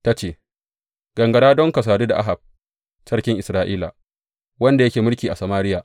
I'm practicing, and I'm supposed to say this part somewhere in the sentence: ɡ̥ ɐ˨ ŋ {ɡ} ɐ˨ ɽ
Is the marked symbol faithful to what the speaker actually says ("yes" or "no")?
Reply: yes